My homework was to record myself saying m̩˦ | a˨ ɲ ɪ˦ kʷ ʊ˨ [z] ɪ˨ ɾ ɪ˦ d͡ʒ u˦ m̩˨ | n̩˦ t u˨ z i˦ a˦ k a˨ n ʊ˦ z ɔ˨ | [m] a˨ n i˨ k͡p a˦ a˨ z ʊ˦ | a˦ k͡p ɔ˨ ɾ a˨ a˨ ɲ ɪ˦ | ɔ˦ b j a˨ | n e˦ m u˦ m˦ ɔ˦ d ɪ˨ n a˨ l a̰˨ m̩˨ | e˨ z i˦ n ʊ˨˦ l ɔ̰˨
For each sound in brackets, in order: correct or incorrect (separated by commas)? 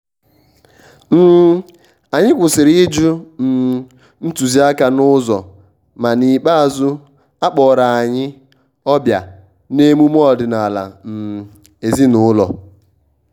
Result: incorrect, correct